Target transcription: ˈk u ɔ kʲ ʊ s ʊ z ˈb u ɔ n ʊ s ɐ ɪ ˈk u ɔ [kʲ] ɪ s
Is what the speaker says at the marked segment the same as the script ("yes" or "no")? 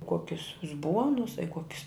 yes